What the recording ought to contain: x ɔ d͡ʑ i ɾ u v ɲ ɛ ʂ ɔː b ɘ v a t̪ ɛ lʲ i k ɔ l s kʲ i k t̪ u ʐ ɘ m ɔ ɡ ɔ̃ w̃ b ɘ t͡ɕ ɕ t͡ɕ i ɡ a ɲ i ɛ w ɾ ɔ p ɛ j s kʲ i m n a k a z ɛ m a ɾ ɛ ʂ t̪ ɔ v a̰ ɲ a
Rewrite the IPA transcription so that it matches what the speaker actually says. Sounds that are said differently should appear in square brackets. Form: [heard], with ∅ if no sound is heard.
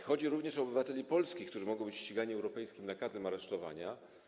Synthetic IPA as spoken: x ɔ d͡ʑ i ɾ u v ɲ ɛ ʂ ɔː b ɘ v a t̪ ɛ lʲ i [p] ɔ l s kʲ i k t̪ u ʐ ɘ m ɔ ɡ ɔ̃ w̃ b ɘ t͡ɕ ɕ t͡ɕ i ɡ a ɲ i ɛ w ɾ ɔ p ɛ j s kʲ i m n a k a z ɛ m a ɾ ɛ ʂ t̪ ɔ v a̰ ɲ a